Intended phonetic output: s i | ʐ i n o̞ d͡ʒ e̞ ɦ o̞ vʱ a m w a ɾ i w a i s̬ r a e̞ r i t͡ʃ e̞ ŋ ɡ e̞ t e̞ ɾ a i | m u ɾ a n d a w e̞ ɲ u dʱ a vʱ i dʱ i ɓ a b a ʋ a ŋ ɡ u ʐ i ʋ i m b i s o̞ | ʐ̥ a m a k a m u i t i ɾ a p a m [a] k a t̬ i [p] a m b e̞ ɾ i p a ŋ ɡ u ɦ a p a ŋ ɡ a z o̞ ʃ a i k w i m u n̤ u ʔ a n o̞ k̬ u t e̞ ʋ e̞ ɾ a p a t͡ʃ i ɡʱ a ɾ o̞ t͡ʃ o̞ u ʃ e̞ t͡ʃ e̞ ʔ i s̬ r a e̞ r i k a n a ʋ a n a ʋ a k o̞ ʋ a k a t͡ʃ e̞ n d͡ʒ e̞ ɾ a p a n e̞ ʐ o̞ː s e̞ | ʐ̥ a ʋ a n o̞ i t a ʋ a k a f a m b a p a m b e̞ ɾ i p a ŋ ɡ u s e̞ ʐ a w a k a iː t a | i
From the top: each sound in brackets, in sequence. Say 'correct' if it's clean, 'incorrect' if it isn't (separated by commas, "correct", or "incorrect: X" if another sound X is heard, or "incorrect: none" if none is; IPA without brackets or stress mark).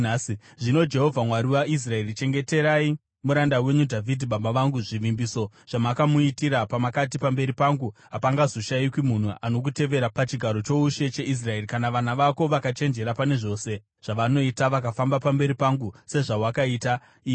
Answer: correct, correct